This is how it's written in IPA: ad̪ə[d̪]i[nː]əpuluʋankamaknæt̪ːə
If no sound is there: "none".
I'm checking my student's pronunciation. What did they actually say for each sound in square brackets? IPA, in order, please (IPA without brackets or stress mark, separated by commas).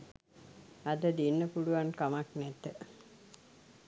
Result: d̪, nː